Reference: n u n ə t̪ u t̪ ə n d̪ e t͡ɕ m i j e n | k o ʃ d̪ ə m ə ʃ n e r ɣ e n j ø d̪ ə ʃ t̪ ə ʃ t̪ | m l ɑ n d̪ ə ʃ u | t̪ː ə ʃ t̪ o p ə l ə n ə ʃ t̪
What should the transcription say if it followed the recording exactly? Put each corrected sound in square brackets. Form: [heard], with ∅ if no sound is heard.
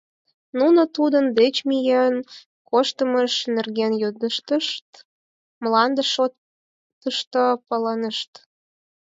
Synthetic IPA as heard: n u n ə t̪ u [d̪] ə n d̪ e t͡ɕ m i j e n | k o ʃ [t̪] ə m ə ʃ n e r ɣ e n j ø d̪ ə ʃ t̪ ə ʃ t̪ | m l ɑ n d̪ ə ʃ [o] | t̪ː ə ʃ t̪ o p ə l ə n ə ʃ t̪

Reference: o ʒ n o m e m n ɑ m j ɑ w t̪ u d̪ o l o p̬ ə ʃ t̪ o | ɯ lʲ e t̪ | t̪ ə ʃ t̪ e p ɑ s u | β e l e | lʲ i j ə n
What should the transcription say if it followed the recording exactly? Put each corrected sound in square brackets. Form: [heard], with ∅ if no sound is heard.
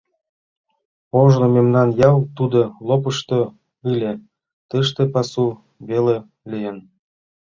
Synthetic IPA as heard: o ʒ n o m e m n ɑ [n] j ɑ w t̪ u d̪ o l o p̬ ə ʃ t̪ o | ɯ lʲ e [∅] | t̪ ə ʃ t̪ e p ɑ s u | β e l e | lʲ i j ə n

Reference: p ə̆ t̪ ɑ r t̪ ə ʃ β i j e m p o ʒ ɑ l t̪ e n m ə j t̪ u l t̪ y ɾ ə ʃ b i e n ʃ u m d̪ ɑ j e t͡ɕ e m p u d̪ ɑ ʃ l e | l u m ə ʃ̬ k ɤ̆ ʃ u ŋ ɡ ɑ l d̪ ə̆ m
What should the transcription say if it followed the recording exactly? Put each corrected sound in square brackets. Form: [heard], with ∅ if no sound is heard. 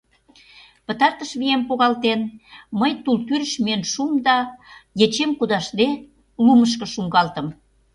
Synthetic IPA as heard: p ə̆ t̪ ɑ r t̪ ə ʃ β i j e m p o [ɣ] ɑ l t̪ e n m ə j t̪ u l t̪ y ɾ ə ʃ [m] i e n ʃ u m d̪ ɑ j e t͡ɕ e m [k] u d̪ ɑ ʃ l e | l u m ə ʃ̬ k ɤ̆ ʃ u ŋ ɡ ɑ l [t̪] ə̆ m

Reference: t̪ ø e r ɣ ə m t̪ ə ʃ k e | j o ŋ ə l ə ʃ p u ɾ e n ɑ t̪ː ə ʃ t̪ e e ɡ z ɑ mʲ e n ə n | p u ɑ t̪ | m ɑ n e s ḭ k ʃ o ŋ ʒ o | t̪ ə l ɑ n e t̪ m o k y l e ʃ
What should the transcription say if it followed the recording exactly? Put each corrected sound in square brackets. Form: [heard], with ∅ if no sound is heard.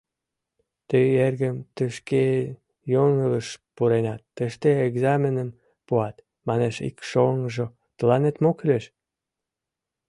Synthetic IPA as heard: t̪ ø e r ɣ ə m t̪ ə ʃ k e | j o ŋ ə l ə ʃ p u ɾ e n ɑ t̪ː ə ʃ t̪ e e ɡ z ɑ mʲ e n ə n | p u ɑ t̪ | m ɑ n e [ʃ] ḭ k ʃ o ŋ ʒ o | t̪ ə l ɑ n e t̪ m o k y l e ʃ

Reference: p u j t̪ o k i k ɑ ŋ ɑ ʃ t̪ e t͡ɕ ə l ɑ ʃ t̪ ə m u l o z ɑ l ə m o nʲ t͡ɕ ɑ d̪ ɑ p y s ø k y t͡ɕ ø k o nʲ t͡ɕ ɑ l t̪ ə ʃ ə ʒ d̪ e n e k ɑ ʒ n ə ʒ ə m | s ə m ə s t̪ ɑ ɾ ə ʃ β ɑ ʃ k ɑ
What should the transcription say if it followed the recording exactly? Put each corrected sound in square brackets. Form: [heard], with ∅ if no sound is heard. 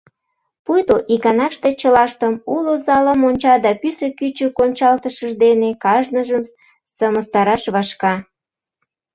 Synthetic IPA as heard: p u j t̪ o [ʔ] i k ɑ [n] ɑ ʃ t̪ e t͡ɕ ə l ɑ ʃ t̪ ə m u l o z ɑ l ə m o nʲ t͡ɕ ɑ d̪ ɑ p y s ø k y t͡ɕ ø k o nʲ t͡ɕ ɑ l t̪ ə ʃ ə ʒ d̪ e n e k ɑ ʒ n ə ʒ ə m | s ə m ə s t̪ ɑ ɾ [ɑ] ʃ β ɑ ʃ k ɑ

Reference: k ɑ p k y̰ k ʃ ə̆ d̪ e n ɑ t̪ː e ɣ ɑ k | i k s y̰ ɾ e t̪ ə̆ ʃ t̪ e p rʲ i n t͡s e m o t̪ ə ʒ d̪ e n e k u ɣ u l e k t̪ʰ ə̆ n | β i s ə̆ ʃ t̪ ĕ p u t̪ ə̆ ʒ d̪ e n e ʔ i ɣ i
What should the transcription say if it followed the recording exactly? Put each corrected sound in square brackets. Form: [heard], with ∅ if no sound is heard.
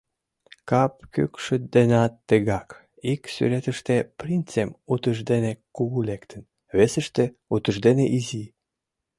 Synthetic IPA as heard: k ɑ p k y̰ k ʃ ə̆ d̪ e n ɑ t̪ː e ɣ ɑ k | i k s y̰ ɾ e t̪ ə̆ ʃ t̪ e p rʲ i n t͡s e m [u] t̪ ə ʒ d̪ e n e k u ɣ u l e k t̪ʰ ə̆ n | β [e] s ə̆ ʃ t̪ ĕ [∅] u t̪ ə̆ ʒ d̪ e n e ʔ i [z] i

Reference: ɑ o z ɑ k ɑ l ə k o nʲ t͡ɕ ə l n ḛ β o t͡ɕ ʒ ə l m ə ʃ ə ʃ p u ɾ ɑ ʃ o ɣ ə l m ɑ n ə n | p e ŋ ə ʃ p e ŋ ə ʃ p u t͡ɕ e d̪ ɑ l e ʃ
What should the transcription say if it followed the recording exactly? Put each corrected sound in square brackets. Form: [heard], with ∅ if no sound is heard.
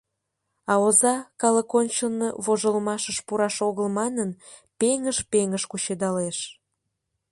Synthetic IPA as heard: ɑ o z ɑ k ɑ l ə k o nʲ t͡ɕ ə l n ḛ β o [∅] ʒ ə l m [ɑ] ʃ ə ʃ p u ɾ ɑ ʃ o ɣ ə l m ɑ n ə n | p e ŋ ə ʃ p e ŋ ə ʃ [k] u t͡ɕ e d̪ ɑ l e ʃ

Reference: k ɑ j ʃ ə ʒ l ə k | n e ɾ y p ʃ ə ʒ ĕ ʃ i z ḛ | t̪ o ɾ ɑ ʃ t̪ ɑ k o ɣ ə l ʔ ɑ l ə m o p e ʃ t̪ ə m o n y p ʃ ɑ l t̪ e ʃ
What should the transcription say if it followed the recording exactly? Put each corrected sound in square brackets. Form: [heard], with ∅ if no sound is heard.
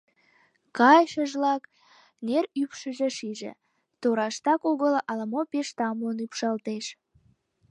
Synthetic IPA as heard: k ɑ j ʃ ə ʒ l [ɑ] k | n e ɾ y p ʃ ə ʒ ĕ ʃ i [ʒ] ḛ | t̪ o ɾ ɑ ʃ t̪ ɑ k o ɣ ə l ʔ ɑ l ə m o p e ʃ t̪ [ɑ] m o n y p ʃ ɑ l t̪ e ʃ

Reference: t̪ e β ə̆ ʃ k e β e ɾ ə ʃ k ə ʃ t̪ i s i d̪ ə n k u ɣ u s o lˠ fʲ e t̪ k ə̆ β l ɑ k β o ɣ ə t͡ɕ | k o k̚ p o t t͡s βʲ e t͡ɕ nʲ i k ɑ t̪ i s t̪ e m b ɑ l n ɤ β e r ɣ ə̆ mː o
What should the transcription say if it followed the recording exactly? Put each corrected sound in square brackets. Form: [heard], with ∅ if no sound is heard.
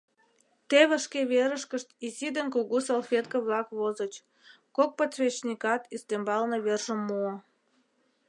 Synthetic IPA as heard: t̪ e β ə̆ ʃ k e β e ɾ ə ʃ k ə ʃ t̪ i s i d̪ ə n k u ɣ u s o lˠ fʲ e t̪ k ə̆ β l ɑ k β o [z] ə t͡ɕ | k o k̚ p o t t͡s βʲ e t͡ɕ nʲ i k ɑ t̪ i s t̪ e m b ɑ l n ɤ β e r [ʒ] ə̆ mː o

